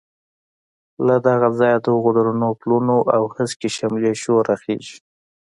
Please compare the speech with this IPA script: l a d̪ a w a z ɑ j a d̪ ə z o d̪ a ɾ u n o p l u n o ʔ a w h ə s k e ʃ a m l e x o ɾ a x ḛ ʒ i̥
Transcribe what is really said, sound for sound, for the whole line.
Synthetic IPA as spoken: l a d̪ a ɣ a z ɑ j a d̪ ə ɣ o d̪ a ɾ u n o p l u n o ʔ a w h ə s k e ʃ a m l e ʃ o ɾ a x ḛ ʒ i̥